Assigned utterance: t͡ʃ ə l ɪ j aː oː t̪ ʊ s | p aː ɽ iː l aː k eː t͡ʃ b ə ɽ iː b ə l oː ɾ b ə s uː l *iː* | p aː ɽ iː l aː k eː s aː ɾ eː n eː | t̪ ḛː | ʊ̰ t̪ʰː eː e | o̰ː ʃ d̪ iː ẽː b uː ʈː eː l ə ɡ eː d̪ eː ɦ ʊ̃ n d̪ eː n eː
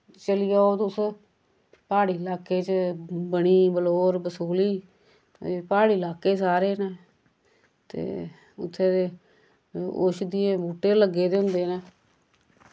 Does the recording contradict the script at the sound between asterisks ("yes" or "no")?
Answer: no